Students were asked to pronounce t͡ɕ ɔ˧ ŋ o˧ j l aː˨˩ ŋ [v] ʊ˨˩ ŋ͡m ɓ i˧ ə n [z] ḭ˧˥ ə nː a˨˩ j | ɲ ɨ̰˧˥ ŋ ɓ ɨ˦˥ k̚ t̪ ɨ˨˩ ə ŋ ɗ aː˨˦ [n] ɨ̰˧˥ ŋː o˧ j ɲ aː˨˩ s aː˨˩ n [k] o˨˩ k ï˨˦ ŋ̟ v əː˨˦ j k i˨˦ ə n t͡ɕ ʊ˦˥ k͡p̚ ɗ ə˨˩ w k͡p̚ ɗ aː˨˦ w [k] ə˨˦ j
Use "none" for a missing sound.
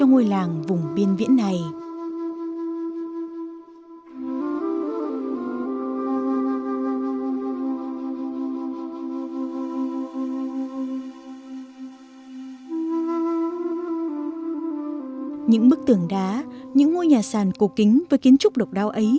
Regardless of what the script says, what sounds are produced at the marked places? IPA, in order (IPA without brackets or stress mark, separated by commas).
v, v, ɲ, k, ʔ